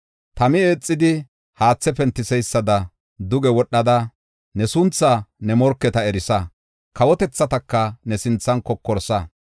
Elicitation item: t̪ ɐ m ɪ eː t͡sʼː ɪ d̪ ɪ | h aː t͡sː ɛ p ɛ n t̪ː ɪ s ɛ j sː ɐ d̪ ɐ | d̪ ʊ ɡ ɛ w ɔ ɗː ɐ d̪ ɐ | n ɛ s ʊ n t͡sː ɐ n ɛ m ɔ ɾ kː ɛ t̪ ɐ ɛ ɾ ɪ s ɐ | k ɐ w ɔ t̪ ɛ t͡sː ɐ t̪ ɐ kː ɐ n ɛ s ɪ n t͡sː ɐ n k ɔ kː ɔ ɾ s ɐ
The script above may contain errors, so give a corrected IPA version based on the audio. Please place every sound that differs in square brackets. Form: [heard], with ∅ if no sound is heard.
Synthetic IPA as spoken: t̪ ɐ m ɪ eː t͡sʼː ɪ d̪ ɪ | h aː t͡sː ɛ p ɛ n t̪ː ɪ s ɛ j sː ɐ d̪ ɐ | d̪ ʊ ɡ ɛ w ɔ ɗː ɐ d̪ ɐ | n ɛ s ʊ n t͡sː ɐ n ɛ m ɔ ɾ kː ɛ t̪ ɐ ɛ ɾ ɪ s ɐ | k ɐ w ɔ t̪ ɛ t͡sː ɐ t̪ ɐ kː ɐ n ɛ s ɪ n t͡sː ɐ n k ɔ kː ɔ ɾ s ɐ

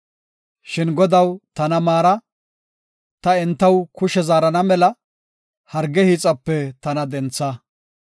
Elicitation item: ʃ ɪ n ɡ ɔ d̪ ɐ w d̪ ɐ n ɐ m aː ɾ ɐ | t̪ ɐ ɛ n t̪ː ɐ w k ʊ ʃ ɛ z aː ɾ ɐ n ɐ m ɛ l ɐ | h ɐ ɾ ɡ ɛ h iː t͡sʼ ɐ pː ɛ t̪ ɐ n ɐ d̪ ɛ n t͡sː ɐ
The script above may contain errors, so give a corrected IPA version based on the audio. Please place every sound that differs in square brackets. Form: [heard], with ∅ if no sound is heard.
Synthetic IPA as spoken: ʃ ɪ n ɡ ɔ d̪ ɐ w [t̪] ɐ n ɐ m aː ɾ ɐ | t̪ ɐ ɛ n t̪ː ɐ w k ʊ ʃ ɛ z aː ɾ ɐ n ɐ m ɛ l ɐ | h ɐ ɾ ɡ ɛ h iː t͡sʼ ɐ pː ɛ t̪ ɐ n ɐ d̪ ɛ n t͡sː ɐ

